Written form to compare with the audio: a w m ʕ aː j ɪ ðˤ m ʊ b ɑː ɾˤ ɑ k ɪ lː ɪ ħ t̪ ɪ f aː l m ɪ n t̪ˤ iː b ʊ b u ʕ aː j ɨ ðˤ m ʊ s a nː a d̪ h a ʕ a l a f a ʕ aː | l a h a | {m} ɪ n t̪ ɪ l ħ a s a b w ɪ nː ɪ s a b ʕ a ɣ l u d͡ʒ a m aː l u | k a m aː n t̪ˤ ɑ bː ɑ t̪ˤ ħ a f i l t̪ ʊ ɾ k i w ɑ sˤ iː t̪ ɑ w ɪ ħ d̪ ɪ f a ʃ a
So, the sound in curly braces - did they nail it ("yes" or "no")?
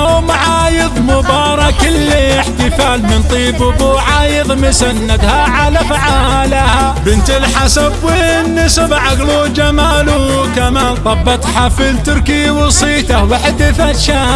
no